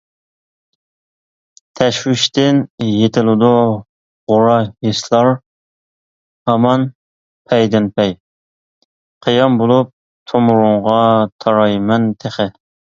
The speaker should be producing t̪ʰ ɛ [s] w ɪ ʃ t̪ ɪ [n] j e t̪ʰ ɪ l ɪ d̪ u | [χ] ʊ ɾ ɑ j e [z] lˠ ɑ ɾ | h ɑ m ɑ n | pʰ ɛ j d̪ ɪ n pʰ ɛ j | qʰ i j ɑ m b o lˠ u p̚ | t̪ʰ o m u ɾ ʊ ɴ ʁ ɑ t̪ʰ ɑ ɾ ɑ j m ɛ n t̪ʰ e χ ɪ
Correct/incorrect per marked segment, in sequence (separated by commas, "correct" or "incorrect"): incorrect, correct, incorrect, incorrect